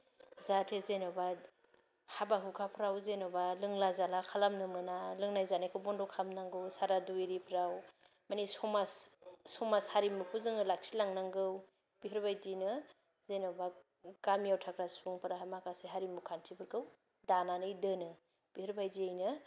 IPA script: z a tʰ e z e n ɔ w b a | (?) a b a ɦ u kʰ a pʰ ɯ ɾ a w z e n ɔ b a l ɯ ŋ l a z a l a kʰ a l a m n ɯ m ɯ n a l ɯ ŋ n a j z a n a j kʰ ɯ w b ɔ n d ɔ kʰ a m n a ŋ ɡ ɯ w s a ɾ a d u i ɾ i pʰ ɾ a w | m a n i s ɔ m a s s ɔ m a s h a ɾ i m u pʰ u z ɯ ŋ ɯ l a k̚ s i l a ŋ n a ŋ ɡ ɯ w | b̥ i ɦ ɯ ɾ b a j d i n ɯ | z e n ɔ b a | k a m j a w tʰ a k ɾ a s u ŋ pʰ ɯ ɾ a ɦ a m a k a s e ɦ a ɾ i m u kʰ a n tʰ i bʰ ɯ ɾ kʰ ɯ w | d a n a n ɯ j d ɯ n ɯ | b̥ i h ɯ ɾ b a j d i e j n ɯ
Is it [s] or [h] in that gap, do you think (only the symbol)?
h